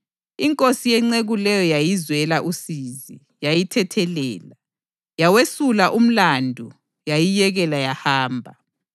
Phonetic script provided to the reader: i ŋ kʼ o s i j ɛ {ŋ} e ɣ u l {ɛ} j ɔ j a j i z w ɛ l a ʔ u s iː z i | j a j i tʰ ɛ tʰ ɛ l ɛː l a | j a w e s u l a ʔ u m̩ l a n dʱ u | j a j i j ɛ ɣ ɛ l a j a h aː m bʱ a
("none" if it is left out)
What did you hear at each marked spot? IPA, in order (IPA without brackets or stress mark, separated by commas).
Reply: ŋ͡ǀ, ɛ